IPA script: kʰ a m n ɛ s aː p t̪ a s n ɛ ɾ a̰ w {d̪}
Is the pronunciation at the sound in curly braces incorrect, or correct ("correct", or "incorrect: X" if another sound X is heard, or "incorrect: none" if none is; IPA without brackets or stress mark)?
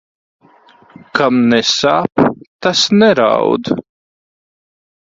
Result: correct